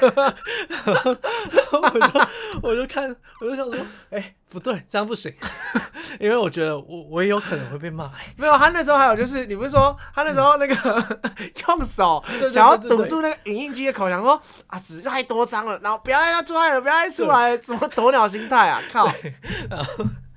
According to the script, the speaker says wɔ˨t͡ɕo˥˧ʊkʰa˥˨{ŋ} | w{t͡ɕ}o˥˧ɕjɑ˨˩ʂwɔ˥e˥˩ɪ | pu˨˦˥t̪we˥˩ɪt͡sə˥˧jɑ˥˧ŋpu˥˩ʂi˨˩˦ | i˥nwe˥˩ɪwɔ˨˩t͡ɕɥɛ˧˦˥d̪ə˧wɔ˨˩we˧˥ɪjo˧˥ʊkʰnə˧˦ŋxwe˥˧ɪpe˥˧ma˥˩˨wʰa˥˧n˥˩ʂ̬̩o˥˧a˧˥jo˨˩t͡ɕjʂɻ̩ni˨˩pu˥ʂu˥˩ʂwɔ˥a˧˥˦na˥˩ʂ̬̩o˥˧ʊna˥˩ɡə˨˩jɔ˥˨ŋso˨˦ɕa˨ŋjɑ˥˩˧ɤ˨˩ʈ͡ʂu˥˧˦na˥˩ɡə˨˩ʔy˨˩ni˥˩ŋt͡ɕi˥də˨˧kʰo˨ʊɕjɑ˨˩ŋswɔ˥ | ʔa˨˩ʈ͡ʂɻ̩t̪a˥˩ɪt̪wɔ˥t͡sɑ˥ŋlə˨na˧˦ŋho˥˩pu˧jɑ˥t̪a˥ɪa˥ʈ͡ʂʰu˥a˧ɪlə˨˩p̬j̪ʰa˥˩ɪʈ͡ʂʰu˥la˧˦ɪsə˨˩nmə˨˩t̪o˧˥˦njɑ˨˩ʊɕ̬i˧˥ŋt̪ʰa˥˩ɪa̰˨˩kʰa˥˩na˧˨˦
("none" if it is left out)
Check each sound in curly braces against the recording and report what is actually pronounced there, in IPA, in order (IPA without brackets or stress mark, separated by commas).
n, t͡ɕ